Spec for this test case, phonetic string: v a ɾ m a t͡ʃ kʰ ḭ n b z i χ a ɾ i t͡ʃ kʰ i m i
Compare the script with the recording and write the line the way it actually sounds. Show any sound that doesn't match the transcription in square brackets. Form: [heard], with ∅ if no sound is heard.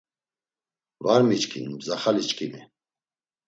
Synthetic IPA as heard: v a ɾ m [i] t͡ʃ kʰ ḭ n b z [a] χ a [l] i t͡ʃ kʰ i m i